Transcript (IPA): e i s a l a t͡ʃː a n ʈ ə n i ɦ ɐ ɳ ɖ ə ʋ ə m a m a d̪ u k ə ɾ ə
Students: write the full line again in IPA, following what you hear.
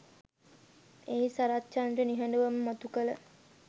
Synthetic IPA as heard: e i s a ɾ a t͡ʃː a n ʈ ə n i ɦ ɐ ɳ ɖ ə ʋ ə m ə m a t̪ u k ə l ə